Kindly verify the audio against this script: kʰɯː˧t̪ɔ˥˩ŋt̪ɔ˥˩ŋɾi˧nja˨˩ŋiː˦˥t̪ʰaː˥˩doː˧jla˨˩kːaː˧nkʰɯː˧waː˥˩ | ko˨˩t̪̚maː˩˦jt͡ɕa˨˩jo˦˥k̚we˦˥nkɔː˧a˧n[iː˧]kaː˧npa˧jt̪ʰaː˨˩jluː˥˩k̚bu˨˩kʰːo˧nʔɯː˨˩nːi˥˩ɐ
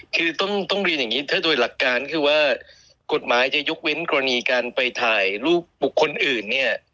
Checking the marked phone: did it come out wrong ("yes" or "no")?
no